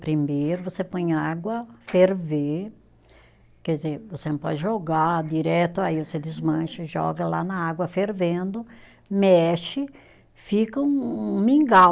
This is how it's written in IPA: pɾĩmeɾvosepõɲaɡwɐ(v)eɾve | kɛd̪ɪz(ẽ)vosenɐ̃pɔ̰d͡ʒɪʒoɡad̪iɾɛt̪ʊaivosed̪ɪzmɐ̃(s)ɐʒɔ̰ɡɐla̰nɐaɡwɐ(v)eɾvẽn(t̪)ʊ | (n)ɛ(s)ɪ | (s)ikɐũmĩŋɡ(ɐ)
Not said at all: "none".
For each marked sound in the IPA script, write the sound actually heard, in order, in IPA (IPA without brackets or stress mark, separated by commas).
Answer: f, e, ʃ, f, d̪, m, ʃ, f, a